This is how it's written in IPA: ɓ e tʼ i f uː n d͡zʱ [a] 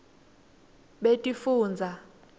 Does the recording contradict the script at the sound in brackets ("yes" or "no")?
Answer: no